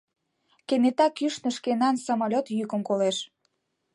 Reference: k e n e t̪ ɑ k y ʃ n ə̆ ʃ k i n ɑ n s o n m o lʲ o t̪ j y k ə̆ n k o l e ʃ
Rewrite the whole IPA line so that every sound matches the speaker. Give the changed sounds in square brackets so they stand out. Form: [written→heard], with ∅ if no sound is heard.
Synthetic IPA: k e n e t̪ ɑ k y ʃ n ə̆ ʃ k [i→e] n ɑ n s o [n→∅] m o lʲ o t̪ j y k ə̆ [n→m] k o l e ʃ